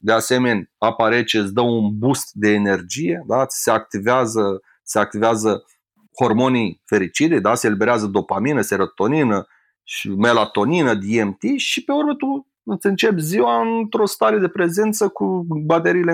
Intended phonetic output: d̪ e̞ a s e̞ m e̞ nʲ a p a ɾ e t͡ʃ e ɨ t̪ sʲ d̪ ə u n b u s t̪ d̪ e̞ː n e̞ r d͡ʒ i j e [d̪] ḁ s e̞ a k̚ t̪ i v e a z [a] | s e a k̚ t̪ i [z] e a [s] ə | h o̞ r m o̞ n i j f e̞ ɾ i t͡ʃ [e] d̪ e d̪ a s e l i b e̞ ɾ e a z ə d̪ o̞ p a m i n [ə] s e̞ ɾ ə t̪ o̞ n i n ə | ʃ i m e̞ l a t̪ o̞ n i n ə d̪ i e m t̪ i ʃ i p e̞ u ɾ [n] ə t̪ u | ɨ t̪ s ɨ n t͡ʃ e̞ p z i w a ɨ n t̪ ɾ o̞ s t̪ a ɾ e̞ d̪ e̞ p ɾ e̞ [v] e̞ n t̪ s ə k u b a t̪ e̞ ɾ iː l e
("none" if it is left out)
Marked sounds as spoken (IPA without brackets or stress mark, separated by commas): d̪, ə, v, z, i, ə, m, z